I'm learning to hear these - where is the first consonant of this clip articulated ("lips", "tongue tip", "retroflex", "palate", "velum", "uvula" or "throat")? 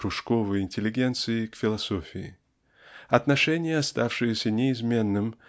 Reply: retroflex